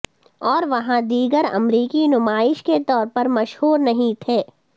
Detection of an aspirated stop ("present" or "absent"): present